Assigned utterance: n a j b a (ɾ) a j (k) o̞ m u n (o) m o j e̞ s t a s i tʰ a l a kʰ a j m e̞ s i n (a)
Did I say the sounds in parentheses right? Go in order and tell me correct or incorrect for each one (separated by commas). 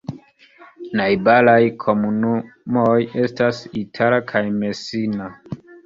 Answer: incorrect, incorrect, incorrect, correct